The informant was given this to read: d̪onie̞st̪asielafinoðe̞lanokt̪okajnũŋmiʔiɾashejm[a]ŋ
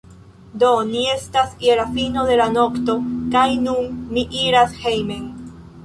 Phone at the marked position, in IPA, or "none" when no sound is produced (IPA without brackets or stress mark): e